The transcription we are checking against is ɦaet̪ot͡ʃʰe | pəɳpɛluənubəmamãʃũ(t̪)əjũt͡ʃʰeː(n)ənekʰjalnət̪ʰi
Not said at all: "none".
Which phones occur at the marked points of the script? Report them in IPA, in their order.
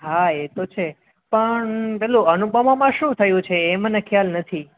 t̪ʰ, m

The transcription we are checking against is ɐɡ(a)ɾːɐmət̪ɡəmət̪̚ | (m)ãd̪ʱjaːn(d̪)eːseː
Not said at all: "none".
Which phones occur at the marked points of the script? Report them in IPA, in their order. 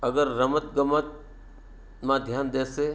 ə, m, d̪

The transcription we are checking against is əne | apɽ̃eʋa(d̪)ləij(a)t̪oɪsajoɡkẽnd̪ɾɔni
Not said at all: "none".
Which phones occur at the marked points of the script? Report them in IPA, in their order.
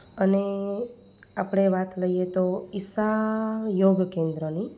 t̪, e

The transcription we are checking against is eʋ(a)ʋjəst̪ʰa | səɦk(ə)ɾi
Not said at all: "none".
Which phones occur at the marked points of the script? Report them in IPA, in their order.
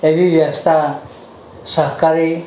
i, a

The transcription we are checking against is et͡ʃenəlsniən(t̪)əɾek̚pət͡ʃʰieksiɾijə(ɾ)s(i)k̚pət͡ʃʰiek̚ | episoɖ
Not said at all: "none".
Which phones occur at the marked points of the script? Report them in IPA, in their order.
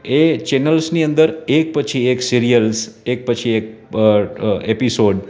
d̪, l, e

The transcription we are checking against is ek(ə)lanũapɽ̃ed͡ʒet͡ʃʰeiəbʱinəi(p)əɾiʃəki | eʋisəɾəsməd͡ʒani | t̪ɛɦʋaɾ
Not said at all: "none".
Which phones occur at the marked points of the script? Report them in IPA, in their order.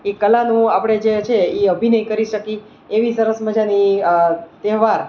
ə, k

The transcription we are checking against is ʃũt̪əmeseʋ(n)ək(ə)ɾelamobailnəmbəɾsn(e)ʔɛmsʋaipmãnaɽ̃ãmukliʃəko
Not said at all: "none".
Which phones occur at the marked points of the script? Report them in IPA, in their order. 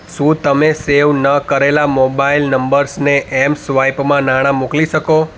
n, ə, e

